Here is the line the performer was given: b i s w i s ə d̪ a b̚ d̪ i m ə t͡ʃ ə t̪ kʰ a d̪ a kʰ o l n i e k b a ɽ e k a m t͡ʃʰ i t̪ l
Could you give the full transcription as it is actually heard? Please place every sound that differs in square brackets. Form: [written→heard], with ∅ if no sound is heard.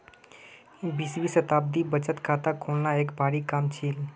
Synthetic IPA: b i s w i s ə [d̪→t̪] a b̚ d̪ i [m→b] ə t͡ʃ ə t̪ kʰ a [d̪→t̪] a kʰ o l n [i→a] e k b a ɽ [e→i] k a m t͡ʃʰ i [t̪→∅] l